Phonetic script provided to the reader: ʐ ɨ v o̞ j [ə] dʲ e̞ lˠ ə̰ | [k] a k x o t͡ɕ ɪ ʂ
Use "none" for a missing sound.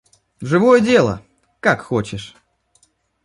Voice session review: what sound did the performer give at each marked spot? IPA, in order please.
ə, k

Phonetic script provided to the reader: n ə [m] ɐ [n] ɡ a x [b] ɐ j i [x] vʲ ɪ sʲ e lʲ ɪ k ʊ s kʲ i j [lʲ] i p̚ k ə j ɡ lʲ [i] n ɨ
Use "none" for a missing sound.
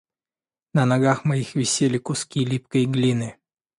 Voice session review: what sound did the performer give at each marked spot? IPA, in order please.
n, none, m, x, lʲ, i

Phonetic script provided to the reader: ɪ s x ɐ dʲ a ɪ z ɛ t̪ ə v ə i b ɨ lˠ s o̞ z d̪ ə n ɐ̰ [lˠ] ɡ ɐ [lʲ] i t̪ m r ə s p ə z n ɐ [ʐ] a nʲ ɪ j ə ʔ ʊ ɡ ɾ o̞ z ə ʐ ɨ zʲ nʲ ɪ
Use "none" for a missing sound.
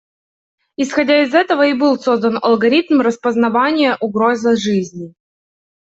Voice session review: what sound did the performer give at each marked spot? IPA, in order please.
lˠ, ɾʲ, v

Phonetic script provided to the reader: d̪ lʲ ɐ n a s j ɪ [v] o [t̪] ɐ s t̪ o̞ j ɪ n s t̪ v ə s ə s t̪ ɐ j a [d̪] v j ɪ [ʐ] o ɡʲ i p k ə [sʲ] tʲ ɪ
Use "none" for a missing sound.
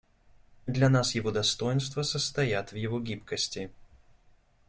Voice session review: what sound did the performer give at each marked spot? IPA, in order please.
v, d̪, t̪, v, sʲ

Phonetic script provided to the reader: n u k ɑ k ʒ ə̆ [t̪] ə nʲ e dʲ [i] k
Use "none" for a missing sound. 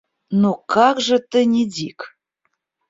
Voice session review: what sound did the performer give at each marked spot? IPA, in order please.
t̪, i

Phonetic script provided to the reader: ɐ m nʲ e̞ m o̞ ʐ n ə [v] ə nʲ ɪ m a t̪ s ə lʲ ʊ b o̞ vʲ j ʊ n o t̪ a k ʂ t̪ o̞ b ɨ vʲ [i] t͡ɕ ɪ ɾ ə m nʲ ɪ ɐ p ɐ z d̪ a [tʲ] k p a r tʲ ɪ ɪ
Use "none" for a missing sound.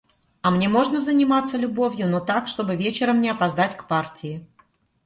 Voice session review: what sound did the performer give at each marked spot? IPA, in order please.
z, e, tʲ

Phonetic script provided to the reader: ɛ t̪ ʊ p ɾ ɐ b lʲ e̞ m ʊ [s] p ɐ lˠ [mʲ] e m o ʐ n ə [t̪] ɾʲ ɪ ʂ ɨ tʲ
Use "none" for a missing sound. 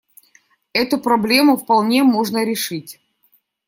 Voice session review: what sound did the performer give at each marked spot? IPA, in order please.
f, nʲ, none

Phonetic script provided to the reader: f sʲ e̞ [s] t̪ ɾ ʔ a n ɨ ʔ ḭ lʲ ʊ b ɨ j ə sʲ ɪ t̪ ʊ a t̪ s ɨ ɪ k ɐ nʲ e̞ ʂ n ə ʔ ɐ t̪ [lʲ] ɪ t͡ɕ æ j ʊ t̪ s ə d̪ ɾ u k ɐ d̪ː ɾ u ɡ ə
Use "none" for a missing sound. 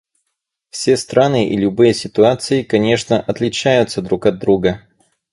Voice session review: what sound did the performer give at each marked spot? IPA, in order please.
s, lʲ

